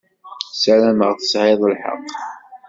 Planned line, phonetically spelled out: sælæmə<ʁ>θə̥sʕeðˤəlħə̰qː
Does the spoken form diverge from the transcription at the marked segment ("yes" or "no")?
no